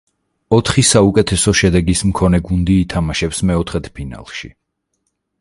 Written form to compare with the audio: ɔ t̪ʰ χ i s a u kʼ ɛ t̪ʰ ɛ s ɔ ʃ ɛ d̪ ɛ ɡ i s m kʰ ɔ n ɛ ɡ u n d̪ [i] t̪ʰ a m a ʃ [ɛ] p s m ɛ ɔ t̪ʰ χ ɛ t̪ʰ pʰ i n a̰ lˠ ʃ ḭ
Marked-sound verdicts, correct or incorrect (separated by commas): incorrect, correct